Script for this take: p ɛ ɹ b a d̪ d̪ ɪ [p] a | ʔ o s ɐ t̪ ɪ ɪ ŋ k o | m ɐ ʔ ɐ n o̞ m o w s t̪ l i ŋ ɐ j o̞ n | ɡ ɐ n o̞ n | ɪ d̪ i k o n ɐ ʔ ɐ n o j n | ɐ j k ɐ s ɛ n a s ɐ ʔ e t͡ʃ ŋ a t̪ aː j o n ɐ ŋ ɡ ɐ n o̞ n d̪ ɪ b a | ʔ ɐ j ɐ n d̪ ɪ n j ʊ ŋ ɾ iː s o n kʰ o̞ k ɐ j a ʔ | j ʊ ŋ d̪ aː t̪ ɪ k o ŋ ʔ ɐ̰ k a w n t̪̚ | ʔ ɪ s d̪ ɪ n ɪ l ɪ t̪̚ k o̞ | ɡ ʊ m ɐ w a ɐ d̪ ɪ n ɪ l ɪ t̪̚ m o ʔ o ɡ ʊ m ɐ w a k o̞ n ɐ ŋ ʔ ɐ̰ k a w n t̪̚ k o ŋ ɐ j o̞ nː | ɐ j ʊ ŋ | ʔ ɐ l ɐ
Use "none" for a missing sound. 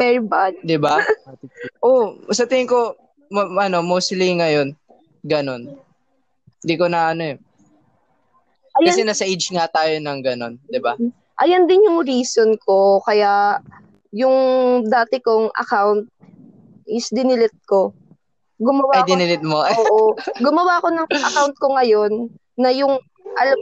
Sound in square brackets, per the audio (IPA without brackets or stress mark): b